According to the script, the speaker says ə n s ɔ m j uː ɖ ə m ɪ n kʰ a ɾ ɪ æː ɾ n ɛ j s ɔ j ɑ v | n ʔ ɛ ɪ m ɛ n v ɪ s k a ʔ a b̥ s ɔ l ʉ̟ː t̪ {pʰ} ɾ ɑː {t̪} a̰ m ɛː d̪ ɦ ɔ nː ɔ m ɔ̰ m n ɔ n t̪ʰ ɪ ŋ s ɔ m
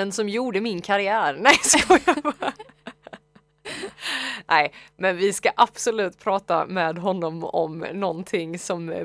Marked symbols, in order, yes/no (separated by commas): yes, yes